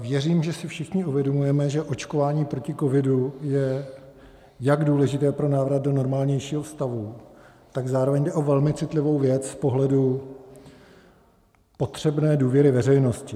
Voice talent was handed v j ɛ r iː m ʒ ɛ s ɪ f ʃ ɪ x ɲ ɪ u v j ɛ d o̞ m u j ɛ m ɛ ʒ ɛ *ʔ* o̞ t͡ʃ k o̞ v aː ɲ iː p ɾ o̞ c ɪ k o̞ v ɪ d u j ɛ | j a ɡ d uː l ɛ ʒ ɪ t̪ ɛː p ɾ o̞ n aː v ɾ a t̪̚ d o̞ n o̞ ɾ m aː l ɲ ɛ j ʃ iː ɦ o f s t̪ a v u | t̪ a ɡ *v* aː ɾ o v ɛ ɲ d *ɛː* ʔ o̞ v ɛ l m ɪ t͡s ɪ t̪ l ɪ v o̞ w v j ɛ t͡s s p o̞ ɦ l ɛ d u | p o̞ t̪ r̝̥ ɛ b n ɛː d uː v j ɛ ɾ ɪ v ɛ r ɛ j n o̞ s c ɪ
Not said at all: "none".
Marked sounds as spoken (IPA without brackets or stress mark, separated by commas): ʔ, z, ɛ